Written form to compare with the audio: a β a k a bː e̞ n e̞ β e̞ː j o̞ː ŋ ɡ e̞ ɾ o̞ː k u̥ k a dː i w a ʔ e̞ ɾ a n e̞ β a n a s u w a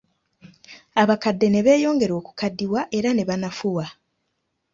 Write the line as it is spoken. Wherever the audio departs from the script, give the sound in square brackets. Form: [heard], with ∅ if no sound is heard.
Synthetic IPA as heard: a β a k a [dː] e̞ n e̞ β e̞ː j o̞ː ŋ ɡ e̞ ɾ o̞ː k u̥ k a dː i w a ʔ e̞ ɾ a n e̞ β a n a [f] u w a

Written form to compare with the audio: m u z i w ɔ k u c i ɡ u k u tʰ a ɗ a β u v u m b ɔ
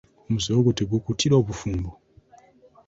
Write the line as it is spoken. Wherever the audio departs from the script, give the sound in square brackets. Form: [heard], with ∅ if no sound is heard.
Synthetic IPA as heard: m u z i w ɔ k u [t] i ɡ u k u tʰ [i] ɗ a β u [f] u m b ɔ

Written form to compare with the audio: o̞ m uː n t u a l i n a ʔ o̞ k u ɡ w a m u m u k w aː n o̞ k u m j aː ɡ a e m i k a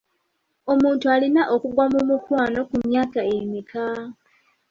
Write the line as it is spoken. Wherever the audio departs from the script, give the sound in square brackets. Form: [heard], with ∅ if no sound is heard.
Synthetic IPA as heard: o̞ m uː n t u a l i n a ʔ o̞ k u ɡ w a m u m u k w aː n o̞ k u m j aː [k] a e m i k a

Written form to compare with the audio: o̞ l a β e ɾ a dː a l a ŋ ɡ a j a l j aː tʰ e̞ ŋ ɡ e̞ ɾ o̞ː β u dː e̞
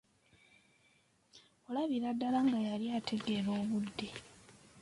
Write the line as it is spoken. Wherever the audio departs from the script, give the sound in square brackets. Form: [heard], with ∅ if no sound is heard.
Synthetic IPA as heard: o̞ l a β [i] ɾ a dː a l a ŋ ɡ a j a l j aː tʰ e̞ [∅] ɡ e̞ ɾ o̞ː β u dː e̞

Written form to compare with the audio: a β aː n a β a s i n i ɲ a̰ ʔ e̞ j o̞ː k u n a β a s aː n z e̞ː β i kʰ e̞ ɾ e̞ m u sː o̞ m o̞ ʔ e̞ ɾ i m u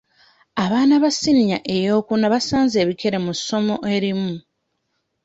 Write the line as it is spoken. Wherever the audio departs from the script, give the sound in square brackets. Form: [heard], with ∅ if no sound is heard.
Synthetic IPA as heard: a β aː n a β a s i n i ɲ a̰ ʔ e̞ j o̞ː k u n a β a s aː n z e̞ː β i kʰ e̞ ɾ e̞ m u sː o̞ m o̞ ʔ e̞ ɾ i m u

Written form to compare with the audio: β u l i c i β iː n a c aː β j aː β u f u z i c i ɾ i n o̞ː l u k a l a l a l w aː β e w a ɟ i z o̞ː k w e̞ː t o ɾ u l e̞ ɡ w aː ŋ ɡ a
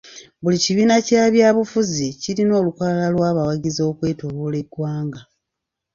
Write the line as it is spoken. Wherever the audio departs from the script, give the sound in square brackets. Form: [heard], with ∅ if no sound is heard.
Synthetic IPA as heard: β u l i c i β iː n a c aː β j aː β u f u z i c i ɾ i n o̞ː l u k a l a l a l w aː β [a] w a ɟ i z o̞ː k w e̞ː t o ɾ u l e̞ ɡ w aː ŋ ɡ a

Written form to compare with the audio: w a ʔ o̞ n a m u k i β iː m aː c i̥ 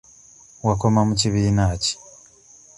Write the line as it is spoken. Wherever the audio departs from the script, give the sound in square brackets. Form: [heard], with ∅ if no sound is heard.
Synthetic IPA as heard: w a [k] o̞ [m] a m u [c] i β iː [n] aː c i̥

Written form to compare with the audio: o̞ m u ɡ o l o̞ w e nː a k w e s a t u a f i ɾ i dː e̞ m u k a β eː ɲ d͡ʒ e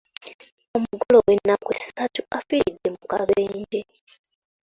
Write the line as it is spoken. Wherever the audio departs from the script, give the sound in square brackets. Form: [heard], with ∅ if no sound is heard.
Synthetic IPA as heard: o̞ m u ɡ o l o̞ w e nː a k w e s a t u a f i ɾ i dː e̞ m u k a β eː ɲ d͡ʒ e

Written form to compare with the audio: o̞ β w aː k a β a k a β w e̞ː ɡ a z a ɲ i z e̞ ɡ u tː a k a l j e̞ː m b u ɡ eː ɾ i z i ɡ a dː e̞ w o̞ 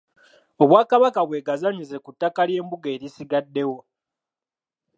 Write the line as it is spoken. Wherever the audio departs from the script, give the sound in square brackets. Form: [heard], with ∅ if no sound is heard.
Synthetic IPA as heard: o̞ β w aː k a β a k a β w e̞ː ɡ a z a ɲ i z e̞ [k] u tː a k a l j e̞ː m b u ɡ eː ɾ i [s] i ɡ a dː e̞ w o̞

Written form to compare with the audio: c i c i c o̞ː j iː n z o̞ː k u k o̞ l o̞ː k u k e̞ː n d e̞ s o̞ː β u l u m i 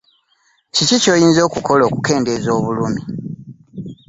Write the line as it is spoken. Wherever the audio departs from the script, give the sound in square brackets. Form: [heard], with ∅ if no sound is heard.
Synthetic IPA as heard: c i c i c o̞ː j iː n z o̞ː k u k o̞ l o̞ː k u k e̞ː n d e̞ [z] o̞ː β u l u m i

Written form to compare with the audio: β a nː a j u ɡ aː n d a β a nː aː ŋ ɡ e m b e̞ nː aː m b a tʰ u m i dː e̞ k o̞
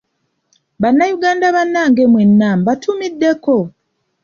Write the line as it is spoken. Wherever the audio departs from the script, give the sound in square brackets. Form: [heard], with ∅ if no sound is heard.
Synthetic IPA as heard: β a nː a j u ɡ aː n d a β a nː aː ŋ ɡ e m [w] e̞ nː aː m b a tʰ u m i dː e̞ k o̞

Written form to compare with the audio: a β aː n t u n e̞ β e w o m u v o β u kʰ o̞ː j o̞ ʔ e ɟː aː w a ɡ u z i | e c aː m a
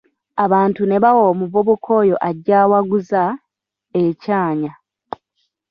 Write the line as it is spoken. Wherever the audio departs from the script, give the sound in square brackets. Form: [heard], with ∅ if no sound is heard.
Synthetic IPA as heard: a β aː n t u n e̞ β [a] w o m u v o β u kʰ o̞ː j o̞ ʔ [a] ɟː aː w a ɡ u z [a] | e c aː [ɲ] a

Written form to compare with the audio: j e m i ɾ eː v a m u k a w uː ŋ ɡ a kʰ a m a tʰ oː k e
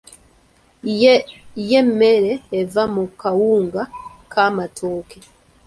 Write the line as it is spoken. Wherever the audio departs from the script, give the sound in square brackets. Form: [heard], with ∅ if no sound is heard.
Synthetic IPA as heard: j e m [e] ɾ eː v a m u k a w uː ŋ ɡ a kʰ a m a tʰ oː k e

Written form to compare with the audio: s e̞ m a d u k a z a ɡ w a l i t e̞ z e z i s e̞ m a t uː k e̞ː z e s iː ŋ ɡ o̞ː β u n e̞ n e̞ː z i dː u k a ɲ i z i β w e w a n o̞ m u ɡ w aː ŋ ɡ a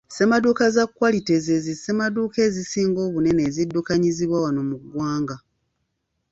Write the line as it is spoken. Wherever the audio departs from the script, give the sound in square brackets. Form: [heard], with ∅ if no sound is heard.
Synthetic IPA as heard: s e̞ m a d u k a z a [k] w a l i t e̞ z e z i s e̞ m a [d] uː k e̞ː z [i] s iː ŋ ɡ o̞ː β u n e̞ n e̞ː z i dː u k a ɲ i z i β w [a] w a n o̞ m u ɡ w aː ŋ ɡ a

